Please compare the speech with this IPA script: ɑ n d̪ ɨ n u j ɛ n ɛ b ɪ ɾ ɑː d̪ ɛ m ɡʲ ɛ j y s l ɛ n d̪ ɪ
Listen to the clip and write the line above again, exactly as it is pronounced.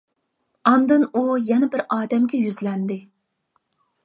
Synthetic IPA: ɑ n d̪ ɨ n u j ɛ n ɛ b ɪ ɾ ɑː d̪ ɛ m ɡʲ ɛ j y z l ɛ n d̪ ɪ